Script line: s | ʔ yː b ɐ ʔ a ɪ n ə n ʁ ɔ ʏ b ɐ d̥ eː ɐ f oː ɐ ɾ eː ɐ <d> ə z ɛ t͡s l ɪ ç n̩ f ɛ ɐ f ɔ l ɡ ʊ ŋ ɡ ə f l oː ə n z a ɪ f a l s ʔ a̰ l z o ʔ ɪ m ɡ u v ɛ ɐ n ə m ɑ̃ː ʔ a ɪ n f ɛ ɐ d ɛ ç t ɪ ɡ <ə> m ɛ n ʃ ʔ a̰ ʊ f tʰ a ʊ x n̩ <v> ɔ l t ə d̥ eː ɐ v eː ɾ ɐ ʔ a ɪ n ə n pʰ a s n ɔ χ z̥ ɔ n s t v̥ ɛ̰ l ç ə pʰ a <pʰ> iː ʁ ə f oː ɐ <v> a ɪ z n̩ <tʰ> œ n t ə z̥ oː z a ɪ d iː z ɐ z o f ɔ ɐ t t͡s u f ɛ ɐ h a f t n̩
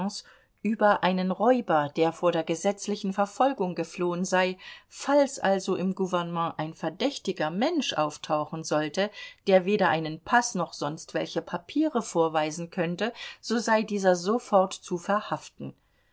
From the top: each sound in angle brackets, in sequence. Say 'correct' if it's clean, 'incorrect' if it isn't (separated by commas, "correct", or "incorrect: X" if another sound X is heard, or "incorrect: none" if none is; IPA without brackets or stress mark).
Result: incorrect: ɡ, incorrect: ɐ, incorrect: z, correct, correct, incorrect: kʰ